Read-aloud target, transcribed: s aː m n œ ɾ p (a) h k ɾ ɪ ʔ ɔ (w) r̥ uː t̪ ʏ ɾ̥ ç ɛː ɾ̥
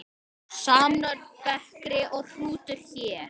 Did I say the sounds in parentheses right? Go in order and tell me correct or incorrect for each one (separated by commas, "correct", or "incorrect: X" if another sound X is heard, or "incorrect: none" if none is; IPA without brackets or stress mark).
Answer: incorrect: ɛ, incorrect: ɣ